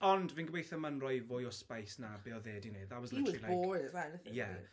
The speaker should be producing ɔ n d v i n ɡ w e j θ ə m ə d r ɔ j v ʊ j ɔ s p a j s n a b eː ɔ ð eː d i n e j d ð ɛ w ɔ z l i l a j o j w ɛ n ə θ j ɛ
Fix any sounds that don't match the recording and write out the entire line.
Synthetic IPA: ɔ n d v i n ɡ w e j θ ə m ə n r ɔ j v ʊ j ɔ s p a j s n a b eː ɔ ð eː d i n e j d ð a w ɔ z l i l a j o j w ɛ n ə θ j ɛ